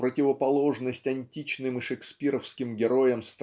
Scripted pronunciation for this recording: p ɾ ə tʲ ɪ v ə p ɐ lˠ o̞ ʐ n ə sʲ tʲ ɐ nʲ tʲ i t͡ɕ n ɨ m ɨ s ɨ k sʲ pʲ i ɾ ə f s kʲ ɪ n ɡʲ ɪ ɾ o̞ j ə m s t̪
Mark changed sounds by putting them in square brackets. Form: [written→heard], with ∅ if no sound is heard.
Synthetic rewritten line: p ɾ ə tʲ ɪ v ə p ɐ lˠ o̞ ʐ n ə sʲ tʲ ɐ nʲ tʲ i t͡ɕ n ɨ m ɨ [s→ʂ] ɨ k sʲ pʲ i ɾ ə f s kʲ ɪ [n→m] ɡʲ ɪ ɾ o̞ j ə m s t̪